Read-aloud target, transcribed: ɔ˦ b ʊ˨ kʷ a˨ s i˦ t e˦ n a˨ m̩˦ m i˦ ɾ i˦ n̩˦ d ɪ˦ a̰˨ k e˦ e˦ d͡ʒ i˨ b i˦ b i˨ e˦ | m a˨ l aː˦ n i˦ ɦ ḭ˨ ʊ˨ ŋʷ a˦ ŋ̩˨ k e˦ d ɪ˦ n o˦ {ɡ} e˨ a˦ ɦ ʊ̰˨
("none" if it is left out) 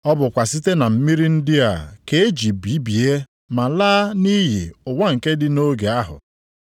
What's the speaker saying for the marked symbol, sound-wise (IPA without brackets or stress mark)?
ɡ